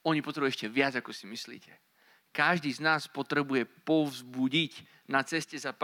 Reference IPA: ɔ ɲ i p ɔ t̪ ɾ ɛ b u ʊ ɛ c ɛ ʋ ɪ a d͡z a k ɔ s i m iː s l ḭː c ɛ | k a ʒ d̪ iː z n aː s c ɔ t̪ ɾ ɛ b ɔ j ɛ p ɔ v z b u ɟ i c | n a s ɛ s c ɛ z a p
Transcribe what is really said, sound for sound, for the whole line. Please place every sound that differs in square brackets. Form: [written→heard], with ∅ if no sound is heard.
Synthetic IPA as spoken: ɔ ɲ i p ɔ t̪ ɾ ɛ b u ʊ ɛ c ɛ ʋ ɪ a d͡z a k ɔ s i m [iː→i] s l ḭː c ɛ | k a ʒ d̪ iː z n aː s [c→p] ɔ t̪ ɾ ɛ b [ɔ→u] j ɛ p ɔ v z b u ɟ i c | n a [s→t͡s] ɛ s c ɛ z a p